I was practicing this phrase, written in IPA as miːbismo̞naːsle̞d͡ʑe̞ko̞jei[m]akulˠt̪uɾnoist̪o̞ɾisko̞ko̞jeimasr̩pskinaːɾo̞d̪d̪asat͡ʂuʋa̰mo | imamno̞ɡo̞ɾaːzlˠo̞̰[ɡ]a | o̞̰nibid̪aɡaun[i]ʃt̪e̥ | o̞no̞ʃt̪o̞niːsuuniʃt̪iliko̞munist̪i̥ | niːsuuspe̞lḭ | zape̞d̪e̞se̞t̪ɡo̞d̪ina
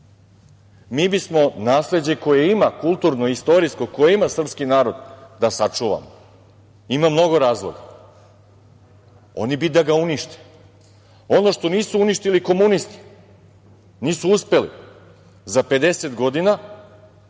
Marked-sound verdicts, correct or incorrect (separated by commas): correct, correct, correct